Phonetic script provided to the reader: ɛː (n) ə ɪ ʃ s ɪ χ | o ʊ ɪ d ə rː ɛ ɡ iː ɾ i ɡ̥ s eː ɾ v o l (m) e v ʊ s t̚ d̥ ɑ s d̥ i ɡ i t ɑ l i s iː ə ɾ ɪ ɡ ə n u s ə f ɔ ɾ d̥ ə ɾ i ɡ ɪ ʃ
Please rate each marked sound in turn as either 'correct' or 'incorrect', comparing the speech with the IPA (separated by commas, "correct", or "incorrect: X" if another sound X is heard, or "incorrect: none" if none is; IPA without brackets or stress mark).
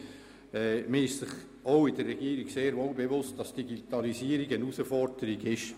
incorrect: m, incorrect: b